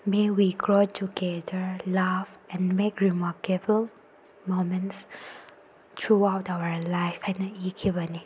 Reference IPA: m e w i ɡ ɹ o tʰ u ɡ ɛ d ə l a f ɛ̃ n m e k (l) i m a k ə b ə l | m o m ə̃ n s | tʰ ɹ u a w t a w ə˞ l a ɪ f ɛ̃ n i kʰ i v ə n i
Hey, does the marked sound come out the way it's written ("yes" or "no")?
no